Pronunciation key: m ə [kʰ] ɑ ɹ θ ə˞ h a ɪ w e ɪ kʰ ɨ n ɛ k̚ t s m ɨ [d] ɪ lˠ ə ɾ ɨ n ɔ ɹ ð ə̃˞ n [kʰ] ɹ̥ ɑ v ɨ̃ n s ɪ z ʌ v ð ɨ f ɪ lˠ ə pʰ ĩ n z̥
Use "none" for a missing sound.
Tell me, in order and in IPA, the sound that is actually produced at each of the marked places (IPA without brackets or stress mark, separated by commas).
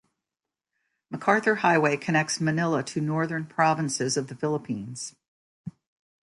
kʰ, n, pʰ